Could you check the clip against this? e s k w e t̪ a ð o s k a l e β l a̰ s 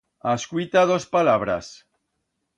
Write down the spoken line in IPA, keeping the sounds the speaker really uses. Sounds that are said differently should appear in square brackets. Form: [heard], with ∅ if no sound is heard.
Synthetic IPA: [a] s k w [i] t̪ a ð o s [p] a l [a] β [ɾ] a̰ s